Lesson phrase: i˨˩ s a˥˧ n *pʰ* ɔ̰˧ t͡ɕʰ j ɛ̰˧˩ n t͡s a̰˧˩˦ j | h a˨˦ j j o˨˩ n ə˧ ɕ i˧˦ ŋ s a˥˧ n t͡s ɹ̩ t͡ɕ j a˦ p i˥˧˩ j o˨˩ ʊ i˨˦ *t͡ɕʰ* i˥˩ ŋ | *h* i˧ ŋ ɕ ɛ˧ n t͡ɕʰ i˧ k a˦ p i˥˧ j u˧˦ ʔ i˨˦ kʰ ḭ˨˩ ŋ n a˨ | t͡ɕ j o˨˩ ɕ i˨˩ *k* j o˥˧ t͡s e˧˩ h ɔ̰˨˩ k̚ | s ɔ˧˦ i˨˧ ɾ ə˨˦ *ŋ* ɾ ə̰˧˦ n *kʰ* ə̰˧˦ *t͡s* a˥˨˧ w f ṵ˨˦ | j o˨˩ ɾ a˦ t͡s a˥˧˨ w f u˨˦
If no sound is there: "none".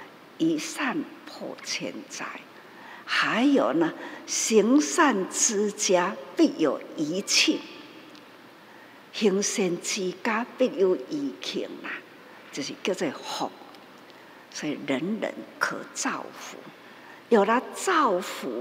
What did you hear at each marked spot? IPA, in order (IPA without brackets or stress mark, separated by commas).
pʰ, t͡ɕʰ, h, k, n, kʰ, t͡s